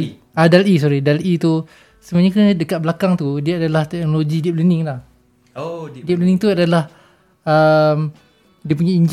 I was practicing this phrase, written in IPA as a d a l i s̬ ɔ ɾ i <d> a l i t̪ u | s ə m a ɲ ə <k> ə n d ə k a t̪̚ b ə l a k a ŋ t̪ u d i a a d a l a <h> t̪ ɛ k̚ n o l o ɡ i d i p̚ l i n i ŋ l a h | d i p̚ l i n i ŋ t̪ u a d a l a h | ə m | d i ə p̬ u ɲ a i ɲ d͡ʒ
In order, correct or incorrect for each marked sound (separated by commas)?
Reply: correct, correct, correct